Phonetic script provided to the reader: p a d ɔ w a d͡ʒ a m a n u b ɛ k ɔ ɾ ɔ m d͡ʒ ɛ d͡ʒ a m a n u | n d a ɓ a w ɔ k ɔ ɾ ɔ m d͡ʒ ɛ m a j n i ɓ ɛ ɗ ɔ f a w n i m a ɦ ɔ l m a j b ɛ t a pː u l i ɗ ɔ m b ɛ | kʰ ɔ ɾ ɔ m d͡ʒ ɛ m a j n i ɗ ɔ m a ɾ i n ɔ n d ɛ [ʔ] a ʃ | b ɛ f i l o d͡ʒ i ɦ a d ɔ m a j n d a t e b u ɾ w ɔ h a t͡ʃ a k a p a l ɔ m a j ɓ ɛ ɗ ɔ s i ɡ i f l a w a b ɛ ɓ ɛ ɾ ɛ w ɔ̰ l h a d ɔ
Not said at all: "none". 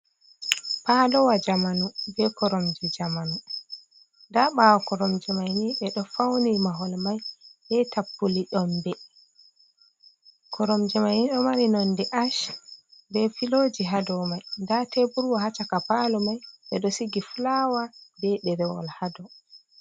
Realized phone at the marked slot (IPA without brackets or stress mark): ʔ